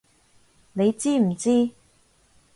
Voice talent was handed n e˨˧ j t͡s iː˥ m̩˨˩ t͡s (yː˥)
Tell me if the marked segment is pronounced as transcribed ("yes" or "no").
no